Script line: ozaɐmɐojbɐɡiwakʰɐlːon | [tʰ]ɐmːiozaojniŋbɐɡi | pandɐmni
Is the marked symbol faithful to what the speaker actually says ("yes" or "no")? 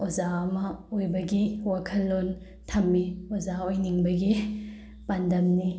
yes